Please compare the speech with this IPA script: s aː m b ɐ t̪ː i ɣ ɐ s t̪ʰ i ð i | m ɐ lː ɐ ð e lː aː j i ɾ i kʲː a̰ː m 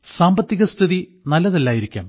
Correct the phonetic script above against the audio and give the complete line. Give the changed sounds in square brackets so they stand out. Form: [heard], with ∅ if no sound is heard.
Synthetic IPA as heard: s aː m b ɐ t̪ː i ɣ ɐ s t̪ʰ i ð i | [n] ɐ lː ɐ ð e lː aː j i ɾ i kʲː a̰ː m